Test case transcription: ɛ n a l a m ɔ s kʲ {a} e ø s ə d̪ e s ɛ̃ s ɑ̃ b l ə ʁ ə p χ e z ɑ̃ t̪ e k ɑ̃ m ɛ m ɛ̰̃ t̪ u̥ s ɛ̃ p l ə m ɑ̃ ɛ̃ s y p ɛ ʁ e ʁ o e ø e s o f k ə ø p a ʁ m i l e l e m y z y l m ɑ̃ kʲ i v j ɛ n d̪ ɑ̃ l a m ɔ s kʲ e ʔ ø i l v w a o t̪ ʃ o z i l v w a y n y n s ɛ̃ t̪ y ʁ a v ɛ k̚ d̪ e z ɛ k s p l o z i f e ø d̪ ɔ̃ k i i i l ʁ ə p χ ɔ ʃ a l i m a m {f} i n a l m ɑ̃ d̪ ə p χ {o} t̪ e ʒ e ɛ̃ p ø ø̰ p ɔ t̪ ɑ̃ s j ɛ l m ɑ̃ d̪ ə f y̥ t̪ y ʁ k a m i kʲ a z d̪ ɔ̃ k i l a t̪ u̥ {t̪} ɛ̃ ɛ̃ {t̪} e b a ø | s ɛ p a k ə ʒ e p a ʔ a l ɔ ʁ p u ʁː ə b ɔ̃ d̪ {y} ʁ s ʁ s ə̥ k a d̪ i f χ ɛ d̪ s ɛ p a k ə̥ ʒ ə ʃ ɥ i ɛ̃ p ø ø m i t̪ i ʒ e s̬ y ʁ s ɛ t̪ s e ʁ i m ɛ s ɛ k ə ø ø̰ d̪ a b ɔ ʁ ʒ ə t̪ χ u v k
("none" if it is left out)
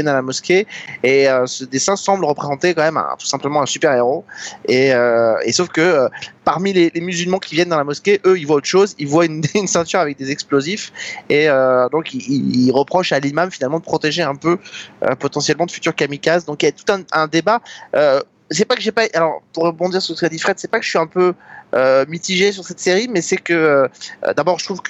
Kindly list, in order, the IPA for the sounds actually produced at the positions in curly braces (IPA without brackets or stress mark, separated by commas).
e, f, ɔ, t̪, d̪, i